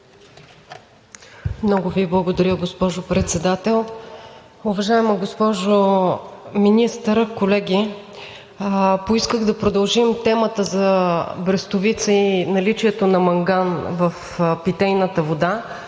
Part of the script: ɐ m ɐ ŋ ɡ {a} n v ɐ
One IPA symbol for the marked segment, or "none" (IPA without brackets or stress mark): a